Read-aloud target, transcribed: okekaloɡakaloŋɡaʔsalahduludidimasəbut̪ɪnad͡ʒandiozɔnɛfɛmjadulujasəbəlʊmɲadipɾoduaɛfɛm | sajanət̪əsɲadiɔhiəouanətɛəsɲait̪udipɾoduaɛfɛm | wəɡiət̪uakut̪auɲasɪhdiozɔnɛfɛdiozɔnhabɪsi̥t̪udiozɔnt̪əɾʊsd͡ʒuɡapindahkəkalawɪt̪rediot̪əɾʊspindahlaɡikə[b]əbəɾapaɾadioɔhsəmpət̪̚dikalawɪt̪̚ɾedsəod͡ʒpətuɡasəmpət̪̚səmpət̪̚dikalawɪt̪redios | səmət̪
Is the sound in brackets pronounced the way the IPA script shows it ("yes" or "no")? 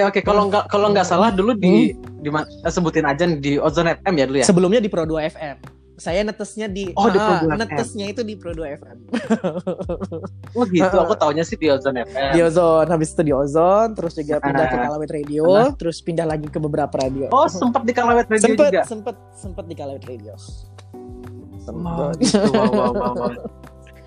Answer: yes